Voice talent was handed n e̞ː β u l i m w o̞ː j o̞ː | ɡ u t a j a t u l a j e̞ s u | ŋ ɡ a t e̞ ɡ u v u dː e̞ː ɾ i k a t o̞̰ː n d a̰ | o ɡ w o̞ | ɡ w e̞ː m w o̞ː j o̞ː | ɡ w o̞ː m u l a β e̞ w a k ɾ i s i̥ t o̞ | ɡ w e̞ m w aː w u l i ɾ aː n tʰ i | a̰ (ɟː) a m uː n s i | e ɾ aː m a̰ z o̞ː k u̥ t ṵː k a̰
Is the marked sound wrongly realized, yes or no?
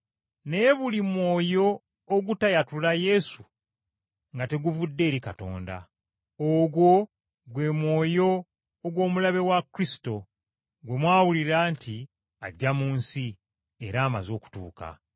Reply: no